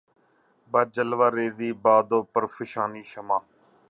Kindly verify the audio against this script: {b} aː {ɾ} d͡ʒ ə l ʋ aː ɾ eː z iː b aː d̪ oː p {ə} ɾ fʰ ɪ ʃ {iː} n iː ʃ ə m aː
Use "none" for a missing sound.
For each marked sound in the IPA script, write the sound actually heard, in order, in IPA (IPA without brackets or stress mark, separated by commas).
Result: b, none, ə, aː